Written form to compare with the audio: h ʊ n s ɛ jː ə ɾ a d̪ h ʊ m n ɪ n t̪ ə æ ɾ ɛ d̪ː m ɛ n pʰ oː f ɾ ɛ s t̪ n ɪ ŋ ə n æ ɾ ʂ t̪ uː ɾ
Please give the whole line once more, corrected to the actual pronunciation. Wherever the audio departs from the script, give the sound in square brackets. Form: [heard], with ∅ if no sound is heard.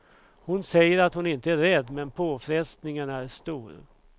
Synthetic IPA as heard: h ʊ n s ɛ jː ə ɾ a [t̪] h ʊ [∅] n ɪ n t̪ ə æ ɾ ɛ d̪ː m ɛ n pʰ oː f ɾ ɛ s t̪ n ɪ ŋ ə n æ ɾ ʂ t̪ uː ɾ